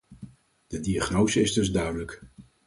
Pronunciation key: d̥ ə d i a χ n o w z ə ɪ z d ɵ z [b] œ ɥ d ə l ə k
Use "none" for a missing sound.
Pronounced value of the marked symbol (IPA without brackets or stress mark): d